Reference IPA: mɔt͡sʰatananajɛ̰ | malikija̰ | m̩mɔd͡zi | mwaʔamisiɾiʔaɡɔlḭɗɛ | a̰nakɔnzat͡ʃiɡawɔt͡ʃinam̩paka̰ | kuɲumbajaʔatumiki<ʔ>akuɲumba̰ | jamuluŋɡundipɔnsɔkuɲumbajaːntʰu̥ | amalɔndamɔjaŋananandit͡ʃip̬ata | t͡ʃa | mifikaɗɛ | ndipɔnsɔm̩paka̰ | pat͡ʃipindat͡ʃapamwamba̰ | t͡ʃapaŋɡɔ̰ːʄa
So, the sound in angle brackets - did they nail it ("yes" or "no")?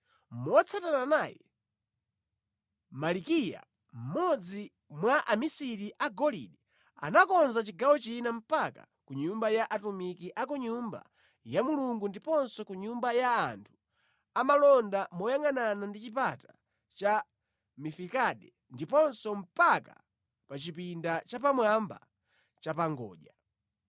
yes